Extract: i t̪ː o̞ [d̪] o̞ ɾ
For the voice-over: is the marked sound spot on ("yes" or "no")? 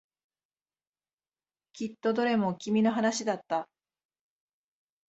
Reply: yes